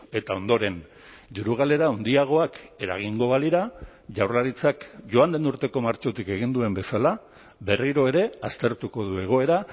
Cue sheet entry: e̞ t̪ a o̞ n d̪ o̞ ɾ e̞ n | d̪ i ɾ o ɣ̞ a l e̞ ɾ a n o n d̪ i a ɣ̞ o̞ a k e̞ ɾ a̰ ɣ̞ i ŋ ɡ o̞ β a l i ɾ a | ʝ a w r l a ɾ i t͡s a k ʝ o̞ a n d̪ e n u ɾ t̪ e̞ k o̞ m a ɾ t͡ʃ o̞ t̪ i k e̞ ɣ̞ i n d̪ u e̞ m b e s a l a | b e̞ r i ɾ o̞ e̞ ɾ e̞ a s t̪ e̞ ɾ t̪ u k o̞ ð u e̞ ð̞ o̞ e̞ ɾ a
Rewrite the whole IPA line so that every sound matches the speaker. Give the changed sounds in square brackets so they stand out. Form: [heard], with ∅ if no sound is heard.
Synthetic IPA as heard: e̞ t̪ a o̞ n d̪ o̞ ɾ e̞ n | d̪ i ɾ [u] ɣ̞ a l e̞ ɾ a [∅] o n d̪ i a ɣ̞ o̞ a k e̞ ɾ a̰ ɣ̞ i ŋ ɡ o̞ β a l i ɾ a | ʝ a w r l a ɾ i t͡s a k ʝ o̞ a n d̪ e n u ɾ t̪ e̞ k o̞ m a ɾ t͡ʃ o̞ t̪ i k e̞ ɣ̞ i n d̪ u e̞ m b e s a l a | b e̞ r i ɾ o̞ e̞ ɾ e̞ a s t̪ e̞ ɾ t̪ u k o̞ ð u e̞ [ɣ̞] o̞ e̞ ɾ a

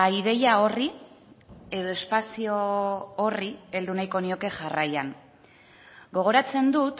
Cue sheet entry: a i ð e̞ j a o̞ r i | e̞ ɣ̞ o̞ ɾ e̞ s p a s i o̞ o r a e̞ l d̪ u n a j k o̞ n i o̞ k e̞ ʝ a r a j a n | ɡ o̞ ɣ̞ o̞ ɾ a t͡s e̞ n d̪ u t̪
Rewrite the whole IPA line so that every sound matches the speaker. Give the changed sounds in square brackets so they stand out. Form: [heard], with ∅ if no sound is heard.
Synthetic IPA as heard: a i ð e̞ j a o̞ r i | e̞ [ð̞] o̞ [∅] e̞ s p a s i o̞ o r [i] e̞ l d̪ u n a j k o̞ n i o̞ k e̞ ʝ a r a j a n | ɡ o̞ ɣ̞ o̞ ɾ a t͡s e̞ n d̪ u t̪

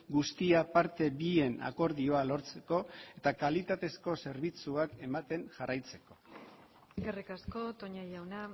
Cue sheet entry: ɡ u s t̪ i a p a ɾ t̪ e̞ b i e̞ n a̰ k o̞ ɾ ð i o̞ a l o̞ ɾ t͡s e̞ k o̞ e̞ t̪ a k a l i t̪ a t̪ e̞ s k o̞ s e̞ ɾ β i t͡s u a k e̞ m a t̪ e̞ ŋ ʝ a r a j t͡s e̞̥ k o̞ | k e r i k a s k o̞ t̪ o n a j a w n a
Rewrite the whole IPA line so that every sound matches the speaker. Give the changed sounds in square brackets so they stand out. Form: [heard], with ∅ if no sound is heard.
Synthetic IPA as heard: ɡ u s t̪ i a p a ɾ t̪ e̞ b i e̞ n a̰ k o̞ ɾ ð i o̞ a l o̞ ɾ t͡s e̞ k o̞ e̞ t̪ a k a l i t̪ a t̪ e̞ s k o̞ s e̞ ɾ β i t͡s u a k e̞ m a t̪ e̞ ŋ ʝ a r a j t͡s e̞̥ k o̞ | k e r i k a s k o̞ t̪ o [ɲ] a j a w n a

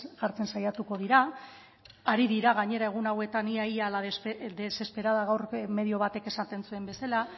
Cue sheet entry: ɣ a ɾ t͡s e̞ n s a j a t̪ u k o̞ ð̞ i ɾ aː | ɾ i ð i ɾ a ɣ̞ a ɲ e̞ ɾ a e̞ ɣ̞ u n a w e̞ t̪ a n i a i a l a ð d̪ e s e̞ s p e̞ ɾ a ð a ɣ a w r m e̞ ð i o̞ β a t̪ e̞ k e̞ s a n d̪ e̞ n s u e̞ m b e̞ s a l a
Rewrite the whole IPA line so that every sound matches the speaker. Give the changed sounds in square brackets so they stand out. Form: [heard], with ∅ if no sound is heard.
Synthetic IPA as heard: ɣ a ɾ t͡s e̞ n s a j a t̪ u k o̞ ð̞ i ɾ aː | ɾ i ð i ɾ a ɣ̞ a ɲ e̞ ɾ a e̞ ɣ̞ u n a w e̞ t̪ a n i a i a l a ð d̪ e s e̞ s p e̞ ɾ a ð a ɣ a w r m e̞ ð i o̞ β a t̪ e̞ k e̞ s a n [t̪] e̞ n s u e̞ m b e̞ s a l a

